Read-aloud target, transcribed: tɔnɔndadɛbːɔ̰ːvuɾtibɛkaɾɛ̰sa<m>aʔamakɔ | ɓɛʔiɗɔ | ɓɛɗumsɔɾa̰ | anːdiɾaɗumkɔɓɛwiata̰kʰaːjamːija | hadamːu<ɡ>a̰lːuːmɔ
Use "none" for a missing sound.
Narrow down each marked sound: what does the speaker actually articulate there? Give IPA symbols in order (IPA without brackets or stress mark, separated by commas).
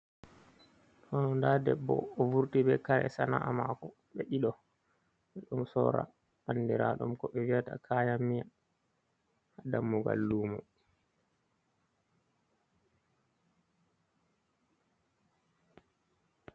n, ɡ